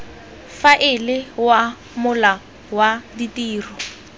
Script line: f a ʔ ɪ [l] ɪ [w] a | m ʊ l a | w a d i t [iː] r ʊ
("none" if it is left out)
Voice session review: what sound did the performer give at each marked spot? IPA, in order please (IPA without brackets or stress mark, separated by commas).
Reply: l, w, iː